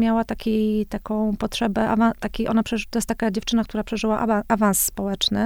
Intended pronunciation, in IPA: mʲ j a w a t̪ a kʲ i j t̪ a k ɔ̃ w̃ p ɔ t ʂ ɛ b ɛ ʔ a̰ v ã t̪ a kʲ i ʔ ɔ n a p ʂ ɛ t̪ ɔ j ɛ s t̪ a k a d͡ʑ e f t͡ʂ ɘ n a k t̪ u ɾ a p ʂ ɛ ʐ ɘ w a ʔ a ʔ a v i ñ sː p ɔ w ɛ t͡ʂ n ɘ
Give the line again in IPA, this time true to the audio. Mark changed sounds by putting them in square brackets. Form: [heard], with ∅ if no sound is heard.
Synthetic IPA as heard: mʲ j a w a t̪ a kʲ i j t̪ a k ɔ̃ w̃ p ɔ t ʂ ɛ b ɛ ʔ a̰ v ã t̪ a kʲ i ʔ ɔ n a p ʂ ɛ t̪ ɔ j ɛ s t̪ a k a d͡ʑ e f t͡ʂ ɘ n a k t̪ u ɾ a p ʂ ɛ ʐ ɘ w a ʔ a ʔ a v [a] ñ sː p ɔ w ɛ t͡ʂ n ɘ